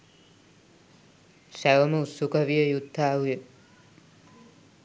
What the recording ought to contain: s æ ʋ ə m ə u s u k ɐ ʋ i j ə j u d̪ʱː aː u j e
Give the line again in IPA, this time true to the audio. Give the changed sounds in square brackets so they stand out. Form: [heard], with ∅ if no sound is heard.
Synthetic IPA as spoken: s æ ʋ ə m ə u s u k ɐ ʋ i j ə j u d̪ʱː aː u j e